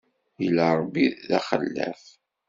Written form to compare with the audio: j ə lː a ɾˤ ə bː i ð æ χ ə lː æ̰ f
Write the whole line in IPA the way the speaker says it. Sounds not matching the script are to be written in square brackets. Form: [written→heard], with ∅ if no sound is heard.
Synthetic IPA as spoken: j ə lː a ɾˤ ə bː i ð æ χ ə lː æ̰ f

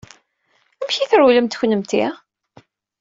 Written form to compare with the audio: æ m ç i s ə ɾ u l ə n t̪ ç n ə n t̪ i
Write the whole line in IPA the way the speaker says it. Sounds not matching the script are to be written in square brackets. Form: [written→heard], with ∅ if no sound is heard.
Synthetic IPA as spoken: æ m ç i [s→θ] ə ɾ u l ə [n→m] t̪ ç n ə [n→m] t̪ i

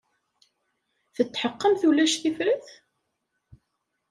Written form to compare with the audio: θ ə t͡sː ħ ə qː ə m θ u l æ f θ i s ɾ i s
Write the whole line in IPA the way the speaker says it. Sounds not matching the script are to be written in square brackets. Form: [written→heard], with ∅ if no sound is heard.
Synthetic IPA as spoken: θ ə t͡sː ħ ə qː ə m θ u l æ [f→ʃ] θ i [s→f] ɾ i [s→θ]

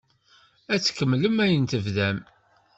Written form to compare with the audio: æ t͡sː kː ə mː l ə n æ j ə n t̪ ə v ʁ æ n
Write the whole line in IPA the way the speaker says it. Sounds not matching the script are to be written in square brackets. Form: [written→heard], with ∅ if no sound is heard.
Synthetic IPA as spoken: æ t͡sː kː ə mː l ə [n→m] æ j ə n t̪ ə v [ʁ→ð] æ [n→m]

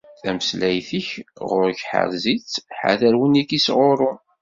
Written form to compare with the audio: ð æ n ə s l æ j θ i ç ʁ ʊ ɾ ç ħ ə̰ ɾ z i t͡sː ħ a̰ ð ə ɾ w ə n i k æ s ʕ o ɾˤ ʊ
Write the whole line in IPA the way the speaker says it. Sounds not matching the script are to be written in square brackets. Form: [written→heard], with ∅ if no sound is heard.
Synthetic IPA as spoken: [ð→θ] æ [n→m] ə s l æ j θ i ç ʁ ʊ ɾ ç ħ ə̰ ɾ z i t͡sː ħ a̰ ð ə ɾ w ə n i k [æ→i] s [ʕ→ʁ] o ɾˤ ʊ

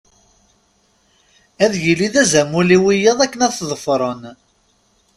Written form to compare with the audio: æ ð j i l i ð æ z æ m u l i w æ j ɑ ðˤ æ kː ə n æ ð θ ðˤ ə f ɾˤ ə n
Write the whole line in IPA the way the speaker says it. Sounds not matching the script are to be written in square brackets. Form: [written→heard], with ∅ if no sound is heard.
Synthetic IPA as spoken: æ ð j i l i ð æ z æ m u l i w [æ→i] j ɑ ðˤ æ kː ə n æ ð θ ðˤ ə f ɾˤ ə n

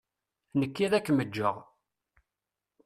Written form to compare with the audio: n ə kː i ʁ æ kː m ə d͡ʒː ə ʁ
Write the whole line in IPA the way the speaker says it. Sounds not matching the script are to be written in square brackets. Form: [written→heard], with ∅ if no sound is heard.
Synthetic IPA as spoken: n ə kː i [ʁ→ð] æ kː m ə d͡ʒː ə ʁ

